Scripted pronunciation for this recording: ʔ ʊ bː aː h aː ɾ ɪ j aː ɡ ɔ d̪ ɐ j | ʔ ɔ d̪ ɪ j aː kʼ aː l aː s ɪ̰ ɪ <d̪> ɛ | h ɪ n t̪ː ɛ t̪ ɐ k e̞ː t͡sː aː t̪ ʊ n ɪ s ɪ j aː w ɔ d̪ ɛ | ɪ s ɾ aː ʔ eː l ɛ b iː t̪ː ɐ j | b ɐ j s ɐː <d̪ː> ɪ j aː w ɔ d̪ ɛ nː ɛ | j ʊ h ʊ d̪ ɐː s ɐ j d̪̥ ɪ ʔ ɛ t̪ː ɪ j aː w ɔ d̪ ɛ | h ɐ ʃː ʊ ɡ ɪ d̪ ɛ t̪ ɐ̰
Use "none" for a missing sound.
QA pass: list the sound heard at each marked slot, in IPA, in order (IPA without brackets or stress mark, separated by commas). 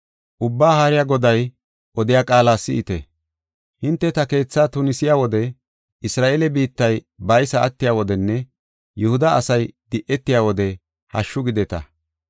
t̪, t̪ː